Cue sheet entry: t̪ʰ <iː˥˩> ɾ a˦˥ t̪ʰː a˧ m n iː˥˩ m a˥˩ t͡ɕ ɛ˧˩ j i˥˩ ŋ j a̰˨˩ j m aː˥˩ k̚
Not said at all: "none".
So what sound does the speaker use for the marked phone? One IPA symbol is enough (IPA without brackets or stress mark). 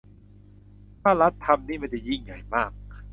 aː˥˩